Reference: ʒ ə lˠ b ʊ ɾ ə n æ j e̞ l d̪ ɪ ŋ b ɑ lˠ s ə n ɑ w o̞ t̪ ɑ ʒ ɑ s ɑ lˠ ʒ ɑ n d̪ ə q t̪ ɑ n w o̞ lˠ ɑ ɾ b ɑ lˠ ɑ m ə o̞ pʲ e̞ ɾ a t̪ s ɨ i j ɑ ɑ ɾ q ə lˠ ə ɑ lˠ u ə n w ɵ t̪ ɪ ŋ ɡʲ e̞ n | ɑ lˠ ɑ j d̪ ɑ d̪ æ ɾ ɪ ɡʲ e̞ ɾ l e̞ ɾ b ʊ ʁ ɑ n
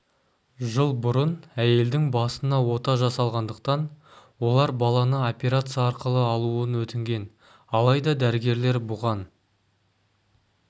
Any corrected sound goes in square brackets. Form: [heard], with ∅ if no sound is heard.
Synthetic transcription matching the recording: ʒ ə lˠ b ʊ ɾ ə n æ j e̞ l d̪ ɪ ŋ b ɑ [∅] s ə n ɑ w o̞ t̪ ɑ ʒ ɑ s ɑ lˠ [ʁ] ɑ n d̪ ə q t̪ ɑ n w o̞ lˠ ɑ ɾ b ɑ lˠ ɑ [n] ə o̞ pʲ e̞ ɾ a t̪ s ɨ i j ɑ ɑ ɾ q ə lˠ ə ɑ lˠ u ə n w ɵ t̪ ɪ ŋ ɡʲ e̞ n | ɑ lˠ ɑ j d̪ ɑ d̪ æ ɾ ɪ ɡʲ e̞ ɾ l e̞ ɾ b ʊ ʁ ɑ n